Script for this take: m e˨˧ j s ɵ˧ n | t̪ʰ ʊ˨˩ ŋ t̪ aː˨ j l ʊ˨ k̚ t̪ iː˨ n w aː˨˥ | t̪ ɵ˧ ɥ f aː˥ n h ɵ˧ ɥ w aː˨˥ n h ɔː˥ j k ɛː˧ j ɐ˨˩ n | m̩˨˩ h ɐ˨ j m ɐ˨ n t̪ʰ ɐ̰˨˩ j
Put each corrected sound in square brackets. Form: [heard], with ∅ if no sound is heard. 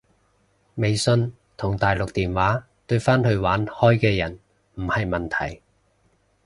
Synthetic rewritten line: m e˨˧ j s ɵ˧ n | t̪ʰ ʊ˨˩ ŋ t̪ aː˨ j l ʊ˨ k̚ t̪ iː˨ n w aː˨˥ | t̪ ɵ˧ ɥ f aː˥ n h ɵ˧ ɥ w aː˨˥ n h ɔː˥ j k ɛː˧ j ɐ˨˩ n | m̩˨˩ h ɐ˨ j m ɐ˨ n t̪ʰ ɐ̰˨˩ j